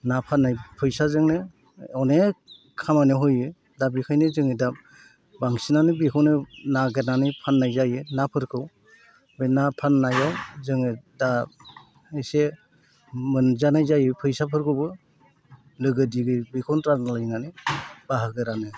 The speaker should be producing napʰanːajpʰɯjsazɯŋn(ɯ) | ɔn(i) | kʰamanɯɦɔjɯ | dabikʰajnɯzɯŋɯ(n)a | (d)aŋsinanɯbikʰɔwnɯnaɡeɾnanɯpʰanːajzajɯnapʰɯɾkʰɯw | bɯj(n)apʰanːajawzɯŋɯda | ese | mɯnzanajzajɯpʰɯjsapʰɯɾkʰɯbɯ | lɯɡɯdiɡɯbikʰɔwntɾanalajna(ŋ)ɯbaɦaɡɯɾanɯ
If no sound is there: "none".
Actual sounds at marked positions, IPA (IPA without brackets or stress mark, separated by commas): ɯ, e, d, b, n, n